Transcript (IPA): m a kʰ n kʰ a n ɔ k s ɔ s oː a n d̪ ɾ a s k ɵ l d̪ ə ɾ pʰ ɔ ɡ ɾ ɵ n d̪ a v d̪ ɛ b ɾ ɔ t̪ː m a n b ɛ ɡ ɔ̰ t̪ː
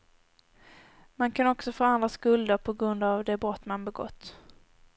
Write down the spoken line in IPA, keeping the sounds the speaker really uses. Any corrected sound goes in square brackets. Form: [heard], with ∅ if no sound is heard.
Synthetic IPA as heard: m a [∅] n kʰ a n ɔ k s ɔ [f] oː a n d̪ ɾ a s k ɵ l d̪ ə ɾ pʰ ɔ ɡ ɾ ɵ n d̪ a v d̪ ɛ b ɾ ɔ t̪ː m a n b ɛ ɡ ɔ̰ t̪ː